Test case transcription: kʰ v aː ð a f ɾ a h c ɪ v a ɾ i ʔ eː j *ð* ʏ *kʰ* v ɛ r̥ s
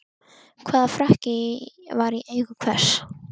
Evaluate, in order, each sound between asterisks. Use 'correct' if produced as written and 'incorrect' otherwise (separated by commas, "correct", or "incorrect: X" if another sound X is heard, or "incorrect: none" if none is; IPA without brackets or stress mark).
incorrect: ɣ, correct